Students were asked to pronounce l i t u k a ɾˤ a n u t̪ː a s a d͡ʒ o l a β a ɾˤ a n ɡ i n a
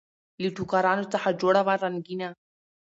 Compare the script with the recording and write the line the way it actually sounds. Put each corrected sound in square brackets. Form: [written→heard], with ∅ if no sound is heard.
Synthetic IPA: l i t u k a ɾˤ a n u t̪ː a [s→ħ] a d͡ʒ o [l→ɽ] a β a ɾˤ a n ɡ i n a

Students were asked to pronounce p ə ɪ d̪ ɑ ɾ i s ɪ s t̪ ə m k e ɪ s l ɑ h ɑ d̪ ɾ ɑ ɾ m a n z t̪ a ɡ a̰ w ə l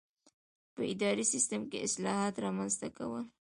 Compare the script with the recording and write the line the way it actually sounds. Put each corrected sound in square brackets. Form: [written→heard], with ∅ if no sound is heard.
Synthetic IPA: p ə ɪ d̪ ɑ ɾ i s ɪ s t̪ ə m k e ɪ s l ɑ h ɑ [d̪→t̪] ɾ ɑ [ɾ→∅] m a n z t̪ a [ɡ→k] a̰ w ə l

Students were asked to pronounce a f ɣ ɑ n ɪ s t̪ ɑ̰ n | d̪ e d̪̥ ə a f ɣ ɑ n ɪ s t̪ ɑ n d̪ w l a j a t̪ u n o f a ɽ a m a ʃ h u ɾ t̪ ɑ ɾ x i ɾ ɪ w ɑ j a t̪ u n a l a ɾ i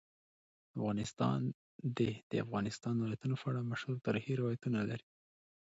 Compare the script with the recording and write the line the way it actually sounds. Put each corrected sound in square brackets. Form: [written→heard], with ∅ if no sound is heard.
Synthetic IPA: a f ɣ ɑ n ɪ s t̪ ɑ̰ n | d̪ e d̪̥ ə a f ɣ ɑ n ɪ s t̪ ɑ n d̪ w l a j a t̪ u n o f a ɽ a m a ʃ h u ɾ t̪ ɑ ɾ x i ɾ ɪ w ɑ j a t̪ u n a l a ɾ i

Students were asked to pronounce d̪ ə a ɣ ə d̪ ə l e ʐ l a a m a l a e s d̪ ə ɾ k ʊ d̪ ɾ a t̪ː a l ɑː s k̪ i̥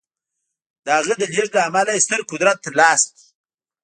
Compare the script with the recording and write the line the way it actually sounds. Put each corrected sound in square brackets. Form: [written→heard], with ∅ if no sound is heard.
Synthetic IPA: d̪ ə a ɣ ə d̪ ə l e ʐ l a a m a l a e s [d̪→t̪] ə ɾ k ʊ d̪ ɾ a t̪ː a l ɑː s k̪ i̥

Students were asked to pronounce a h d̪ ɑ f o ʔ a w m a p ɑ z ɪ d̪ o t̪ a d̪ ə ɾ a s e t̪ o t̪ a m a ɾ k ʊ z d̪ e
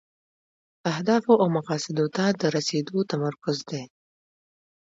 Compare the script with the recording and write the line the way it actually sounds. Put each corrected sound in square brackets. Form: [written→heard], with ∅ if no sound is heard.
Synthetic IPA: a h d̪ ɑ f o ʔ a w m a [p→q] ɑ [z→s] ɪ d̪ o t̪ a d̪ ə ɾ a s e [t̪→d̪] o t̪ a m a ɾ k ʊ z d̪ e

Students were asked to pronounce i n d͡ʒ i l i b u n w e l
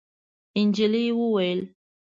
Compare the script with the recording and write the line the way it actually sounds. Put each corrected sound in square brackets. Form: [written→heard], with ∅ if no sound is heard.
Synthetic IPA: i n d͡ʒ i l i [b→w] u [n→∅] w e l

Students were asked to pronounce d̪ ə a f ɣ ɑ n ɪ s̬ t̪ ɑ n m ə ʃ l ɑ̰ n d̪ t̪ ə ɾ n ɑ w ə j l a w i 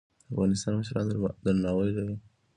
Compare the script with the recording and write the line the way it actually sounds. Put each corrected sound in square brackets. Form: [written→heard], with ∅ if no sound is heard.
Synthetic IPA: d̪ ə a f ɣ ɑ n ɪ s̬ t̪ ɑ n m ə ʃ [l→ɾ] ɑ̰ n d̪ [t̪→d̪] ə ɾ n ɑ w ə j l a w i

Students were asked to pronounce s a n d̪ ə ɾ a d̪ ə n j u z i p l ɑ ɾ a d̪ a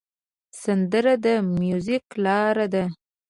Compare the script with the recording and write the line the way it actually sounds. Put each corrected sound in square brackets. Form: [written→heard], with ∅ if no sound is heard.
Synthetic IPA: s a n d̪ ə ɾ a d̪ ə [n→m] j u z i [p→k] l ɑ ɾ a d̪ a

